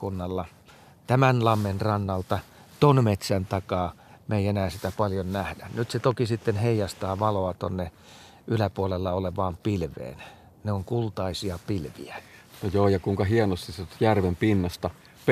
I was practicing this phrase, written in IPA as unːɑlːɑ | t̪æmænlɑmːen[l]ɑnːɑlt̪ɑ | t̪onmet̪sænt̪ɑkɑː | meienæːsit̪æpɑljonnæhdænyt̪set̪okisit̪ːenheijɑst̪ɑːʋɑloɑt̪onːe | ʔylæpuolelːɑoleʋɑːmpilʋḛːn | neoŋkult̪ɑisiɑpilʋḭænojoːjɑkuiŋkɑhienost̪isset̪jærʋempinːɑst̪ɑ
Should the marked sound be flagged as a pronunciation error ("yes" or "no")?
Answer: yes